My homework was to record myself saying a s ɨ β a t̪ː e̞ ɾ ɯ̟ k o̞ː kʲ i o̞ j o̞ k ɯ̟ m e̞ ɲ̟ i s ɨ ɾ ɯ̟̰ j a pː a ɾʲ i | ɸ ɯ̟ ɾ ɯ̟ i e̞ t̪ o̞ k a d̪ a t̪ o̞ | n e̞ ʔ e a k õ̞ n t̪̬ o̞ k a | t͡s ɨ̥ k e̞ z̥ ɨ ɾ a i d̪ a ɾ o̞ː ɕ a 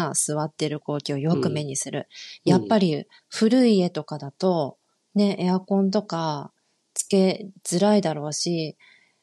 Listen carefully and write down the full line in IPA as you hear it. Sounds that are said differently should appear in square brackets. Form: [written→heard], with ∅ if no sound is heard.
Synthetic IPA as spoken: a s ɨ β a t̪ː e̞ ɾ ɯ̟ k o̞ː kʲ i o̞ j o̞ k ɯ̟ m e̞ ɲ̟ i s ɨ ɾ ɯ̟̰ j a pː a ɾʲ i | ɸ ɯ̟ ɾ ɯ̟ i e̞ t̪ o̞ k a d̪ a t̪ o̞ | n e̞ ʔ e a k õ̞ n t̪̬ o̞ k a | t͡s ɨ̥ k e̞ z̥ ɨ ɾ a i d̪ a ɾ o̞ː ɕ [a→i]